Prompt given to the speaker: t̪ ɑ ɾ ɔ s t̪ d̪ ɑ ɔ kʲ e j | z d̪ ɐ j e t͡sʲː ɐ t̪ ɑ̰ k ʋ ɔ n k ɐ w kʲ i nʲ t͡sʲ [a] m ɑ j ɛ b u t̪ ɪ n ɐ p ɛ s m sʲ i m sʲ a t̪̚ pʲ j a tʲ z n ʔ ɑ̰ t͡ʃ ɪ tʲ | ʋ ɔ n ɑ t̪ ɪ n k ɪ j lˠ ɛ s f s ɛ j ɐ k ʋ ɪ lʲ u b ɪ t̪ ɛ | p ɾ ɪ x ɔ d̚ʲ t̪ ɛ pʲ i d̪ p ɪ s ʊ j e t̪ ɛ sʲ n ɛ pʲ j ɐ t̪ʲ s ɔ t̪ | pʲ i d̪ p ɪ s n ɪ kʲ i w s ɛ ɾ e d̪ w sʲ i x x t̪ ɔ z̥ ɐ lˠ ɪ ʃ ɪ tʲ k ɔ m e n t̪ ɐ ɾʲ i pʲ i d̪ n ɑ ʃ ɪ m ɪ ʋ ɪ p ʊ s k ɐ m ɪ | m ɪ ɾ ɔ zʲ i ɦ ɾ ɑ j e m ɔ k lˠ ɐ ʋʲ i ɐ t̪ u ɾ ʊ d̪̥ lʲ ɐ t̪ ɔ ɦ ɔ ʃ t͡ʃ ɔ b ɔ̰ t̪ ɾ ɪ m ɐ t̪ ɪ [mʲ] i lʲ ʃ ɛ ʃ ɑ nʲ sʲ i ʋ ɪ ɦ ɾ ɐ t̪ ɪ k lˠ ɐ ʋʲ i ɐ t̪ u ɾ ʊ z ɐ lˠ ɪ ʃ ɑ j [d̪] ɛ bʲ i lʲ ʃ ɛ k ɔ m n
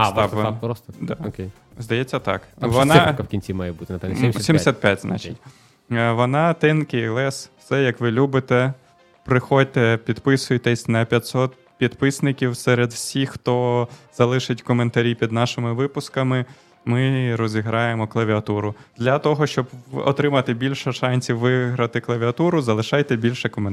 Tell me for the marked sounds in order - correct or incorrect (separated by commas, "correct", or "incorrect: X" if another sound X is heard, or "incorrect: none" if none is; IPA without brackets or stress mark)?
incorrect: i, incorrect: bʲ, incorrect: t̪